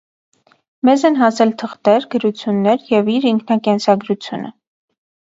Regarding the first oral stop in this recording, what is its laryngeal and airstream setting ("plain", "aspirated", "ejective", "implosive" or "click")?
aspirated